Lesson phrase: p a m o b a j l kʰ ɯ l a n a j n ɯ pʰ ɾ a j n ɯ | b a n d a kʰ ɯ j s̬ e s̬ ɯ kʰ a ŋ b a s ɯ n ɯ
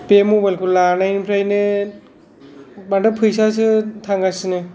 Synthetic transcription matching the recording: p e m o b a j l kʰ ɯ l a n a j n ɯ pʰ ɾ a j n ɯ | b a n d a pʰ ɯ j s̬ a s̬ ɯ tʰ a ŋ ɡ a s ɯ n ɯ